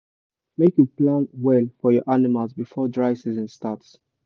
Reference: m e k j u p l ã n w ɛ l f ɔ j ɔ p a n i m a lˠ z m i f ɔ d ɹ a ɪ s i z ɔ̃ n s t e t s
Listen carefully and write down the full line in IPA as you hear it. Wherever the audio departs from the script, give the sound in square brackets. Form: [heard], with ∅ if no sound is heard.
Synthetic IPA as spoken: m e k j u p l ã n w ɛ l f ɔ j ɔ [ʔ] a n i m a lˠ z [b] i f ɔ d ɹ a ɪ s i z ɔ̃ n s t [a] t s